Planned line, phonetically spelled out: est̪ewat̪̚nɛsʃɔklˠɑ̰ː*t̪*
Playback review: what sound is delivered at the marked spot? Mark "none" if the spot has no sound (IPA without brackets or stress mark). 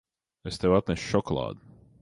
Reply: d̪